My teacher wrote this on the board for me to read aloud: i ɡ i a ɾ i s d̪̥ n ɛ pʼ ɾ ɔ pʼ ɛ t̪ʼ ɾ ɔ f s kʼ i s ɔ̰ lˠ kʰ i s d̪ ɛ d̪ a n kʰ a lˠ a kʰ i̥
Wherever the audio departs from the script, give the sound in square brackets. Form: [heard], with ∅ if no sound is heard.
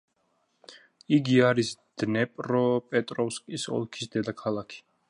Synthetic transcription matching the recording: i ɡ i a ɾ i s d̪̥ n ɛ pʼ ɾ ɔ pʼ ɛ t̪ʼ ɾ ɔ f s kʼ i s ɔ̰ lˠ kʰ i s d̪ ɛ d̪ a [∅] kʰ a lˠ a kʰ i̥